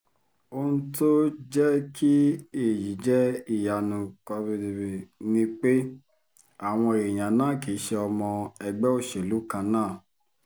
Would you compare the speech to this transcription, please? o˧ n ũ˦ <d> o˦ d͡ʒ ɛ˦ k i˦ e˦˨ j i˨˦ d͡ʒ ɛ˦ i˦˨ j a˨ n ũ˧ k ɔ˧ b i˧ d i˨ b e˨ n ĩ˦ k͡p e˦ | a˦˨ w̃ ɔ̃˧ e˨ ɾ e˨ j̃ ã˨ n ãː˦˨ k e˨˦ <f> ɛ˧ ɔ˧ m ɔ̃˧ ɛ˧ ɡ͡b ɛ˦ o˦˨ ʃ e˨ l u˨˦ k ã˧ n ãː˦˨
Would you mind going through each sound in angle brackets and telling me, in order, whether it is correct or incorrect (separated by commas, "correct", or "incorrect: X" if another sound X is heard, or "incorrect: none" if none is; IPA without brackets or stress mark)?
incorrect: t, incorrect: ʃ